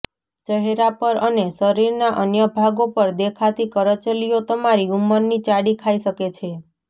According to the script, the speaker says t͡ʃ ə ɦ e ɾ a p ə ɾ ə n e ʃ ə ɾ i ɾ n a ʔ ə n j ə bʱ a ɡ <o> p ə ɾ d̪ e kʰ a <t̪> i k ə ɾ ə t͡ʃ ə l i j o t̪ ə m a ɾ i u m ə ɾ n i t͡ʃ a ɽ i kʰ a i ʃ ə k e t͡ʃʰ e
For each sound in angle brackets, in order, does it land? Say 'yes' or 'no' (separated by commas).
yes, yes